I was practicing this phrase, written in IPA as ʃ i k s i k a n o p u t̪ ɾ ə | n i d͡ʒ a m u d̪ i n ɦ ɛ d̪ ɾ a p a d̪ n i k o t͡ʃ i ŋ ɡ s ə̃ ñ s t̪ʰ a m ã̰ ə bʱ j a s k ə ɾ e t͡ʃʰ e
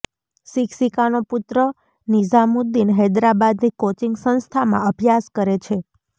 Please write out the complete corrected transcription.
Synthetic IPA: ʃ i k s i k a n o p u t̪ ɾ ə | n i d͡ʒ a m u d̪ i n ɦ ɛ d̪ ɾ a b a d̪ n i k o t͡ʃ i ŋ ɡ s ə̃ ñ s t̪ʰ a m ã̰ ə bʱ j a s k ə ɾ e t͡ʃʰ e

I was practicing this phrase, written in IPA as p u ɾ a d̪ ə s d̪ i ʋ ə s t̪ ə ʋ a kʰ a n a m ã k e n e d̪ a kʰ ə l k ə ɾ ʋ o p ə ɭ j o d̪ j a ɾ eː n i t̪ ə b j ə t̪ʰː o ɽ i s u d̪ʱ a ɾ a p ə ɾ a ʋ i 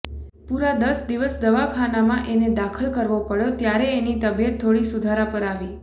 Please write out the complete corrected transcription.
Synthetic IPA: p u ɾ a d̪ ə s d̪ i ʋ ə s d̪ ə ʋ a kʰ a n a m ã ʔ e n e d̪ a kʰ ə l k ə ɾ ʋ o p ə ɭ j o t̪ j a ɾ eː n i t̪ ə b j ə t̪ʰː o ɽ i s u d̪ʱ a ɾ a p ə ɾ a ʋ i

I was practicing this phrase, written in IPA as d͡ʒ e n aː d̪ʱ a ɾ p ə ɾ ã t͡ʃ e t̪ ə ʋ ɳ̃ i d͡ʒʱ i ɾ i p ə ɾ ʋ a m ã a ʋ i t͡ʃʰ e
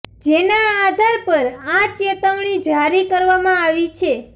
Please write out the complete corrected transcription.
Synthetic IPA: d͡ʒ e n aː d̪ʱ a ɾ p ə ɾ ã t͡ʃ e t̪ ə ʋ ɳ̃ i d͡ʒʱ a ɾ i k ə ɾ ʋ a m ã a ʋ i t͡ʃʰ e

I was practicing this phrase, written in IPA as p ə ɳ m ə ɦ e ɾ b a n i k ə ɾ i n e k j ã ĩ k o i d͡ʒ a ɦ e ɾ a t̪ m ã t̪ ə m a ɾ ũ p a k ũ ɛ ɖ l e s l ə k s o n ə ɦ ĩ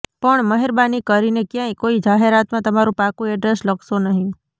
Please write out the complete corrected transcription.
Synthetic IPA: p ə ɳ m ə ɦ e ɾ b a n i k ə ɾ i n e k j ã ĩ k o i d͡ʒ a ɦ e ɾ a t̪ m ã t̪ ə m a ɾ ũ p a k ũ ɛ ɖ ɾ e s l ə k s o n ə ɦ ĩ

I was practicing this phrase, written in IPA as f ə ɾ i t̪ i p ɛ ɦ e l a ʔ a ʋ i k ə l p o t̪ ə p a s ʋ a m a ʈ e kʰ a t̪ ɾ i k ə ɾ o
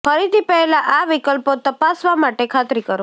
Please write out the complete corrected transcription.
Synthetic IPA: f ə ɾ i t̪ i p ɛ ɦ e l a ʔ a ʋ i k ə l p o t̪ ə p a s ʋ a m a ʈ e kʰ a t̪ ɾ i k ə ɾ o

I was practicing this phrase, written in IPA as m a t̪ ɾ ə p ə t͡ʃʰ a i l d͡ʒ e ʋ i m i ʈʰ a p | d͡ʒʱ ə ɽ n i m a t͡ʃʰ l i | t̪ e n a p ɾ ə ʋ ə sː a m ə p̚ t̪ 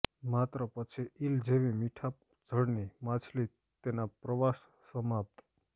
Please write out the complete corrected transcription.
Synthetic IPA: m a t̪ ɾ ə p ə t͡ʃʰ i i l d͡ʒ e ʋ i m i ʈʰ a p | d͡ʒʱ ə ɽ n i m a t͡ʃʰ l i | t̪ e n a p ɾ ə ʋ a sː ə m a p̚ t̪

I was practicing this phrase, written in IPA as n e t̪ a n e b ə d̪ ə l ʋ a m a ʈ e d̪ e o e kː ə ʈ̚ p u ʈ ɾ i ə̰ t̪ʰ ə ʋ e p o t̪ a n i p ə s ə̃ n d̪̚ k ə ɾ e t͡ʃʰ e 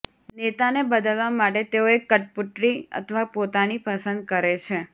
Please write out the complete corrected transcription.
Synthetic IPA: n e t̪ a n e b ə d̪ ə l ʋ a m a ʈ e t̪ e o e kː ə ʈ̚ p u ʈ ɾ i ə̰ t̪ʰ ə ʋ a p o t̪ a n i p ə s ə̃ n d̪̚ k ə ɾ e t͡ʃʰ e

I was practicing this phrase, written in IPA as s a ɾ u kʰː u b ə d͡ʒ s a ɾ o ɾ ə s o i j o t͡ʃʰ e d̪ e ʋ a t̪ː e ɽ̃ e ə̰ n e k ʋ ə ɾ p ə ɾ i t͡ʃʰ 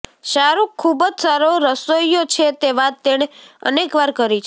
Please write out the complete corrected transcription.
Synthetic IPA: ʃ a ɾ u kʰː u b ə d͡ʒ s a ɾ o ɾ ə s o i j o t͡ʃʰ e t̪ e ʋ a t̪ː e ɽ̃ e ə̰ n e k ʋ a ɾ k ə ɾ i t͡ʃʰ

